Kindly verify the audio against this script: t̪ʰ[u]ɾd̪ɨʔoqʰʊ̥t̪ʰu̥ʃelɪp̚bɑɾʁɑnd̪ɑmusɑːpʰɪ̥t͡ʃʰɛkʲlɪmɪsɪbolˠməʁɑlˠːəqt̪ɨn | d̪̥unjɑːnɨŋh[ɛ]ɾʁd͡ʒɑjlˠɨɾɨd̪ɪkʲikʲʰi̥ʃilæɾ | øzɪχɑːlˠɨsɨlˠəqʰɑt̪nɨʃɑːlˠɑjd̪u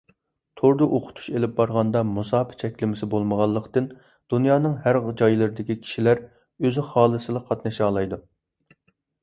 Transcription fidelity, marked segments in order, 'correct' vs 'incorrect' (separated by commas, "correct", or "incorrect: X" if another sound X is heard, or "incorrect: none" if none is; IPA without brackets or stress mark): incorrect: o, incorrect: æ